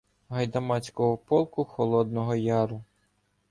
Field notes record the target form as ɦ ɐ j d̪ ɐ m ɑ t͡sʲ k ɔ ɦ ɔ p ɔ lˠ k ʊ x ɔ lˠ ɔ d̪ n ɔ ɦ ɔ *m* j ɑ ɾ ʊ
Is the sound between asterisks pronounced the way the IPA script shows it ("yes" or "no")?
no